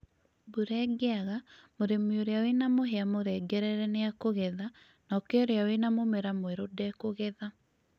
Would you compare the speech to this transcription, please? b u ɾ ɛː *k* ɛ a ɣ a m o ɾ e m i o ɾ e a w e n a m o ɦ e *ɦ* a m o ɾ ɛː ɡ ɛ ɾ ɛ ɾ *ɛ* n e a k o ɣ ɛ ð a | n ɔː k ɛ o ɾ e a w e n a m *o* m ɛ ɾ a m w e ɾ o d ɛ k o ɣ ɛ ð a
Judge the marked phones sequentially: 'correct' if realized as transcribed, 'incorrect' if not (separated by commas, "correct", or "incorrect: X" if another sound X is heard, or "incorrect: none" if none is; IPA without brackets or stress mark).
incorrect: ɡ, incorrect: none, correct, correct